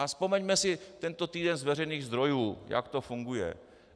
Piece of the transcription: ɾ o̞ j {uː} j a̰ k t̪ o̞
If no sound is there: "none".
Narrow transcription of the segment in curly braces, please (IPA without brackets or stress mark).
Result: uː